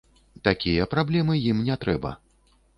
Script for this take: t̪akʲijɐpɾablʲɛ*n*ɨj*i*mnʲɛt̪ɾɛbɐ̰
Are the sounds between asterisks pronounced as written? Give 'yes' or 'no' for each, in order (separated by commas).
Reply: no, yes